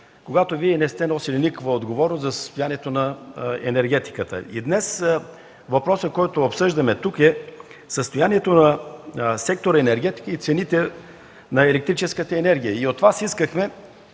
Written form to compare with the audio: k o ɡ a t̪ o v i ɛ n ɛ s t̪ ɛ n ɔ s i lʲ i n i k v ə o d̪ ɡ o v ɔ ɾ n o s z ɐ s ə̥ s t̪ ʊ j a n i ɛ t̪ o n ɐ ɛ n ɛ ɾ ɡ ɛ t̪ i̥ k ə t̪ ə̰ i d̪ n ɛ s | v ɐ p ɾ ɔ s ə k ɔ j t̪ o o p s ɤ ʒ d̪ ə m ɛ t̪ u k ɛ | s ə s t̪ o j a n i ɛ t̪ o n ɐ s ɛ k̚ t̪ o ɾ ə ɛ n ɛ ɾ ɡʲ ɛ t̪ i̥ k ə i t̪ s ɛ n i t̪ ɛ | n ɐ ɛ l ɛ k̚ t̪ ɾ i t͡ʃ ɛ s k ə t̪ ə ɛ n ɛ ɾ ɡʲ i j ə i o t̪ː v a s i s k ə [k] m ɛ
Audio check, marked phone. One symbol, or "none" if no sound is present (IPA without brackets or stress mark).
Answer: x